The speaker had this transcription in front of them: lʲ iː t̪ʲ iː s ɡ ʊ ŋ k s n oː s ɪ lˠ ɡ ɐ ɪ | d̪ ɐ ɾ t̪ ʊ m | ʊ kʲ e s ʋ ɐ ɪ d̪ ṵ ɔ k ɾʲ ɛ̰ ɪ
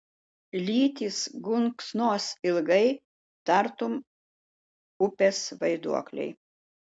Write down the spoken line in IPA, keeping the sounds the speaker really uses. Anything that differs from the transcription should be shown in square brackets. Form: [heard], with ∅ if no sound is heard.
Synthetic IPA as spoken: lʲ iː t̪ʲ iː s ɡ ʊ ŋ k s n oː s ɪ lˠ ɡ ɐ ɪ | [t̪] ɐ ɾ t̪ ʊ m | ʊ [pʲ] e s ʋ ɐ ɪ d̪ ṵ ɔ k [lʲ] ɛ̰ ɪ